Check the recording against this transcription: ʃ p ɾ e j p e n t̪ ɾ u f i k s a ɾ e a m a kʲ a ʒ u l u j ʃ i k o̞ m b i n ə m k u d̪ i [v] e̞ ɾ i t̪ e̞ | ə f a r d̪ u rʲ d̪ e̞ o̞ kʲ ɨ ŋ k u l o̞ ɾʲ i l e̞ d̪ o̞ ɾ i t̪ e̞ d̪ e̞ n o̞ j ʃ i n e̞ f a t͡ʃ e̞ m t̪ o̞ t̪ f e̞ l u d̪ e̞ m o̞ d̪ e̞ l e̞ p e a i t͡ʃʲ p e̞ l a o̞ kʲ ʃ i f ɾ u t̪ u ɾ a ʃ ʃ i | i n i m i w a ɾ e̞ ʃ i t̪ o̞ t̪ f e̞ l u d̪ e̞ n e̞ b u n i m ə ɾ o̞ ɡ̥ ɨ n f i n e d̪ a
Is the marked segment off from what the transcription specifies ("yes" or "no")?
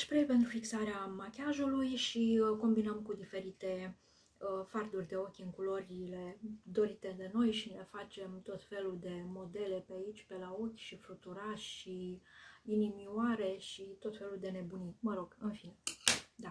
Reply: yes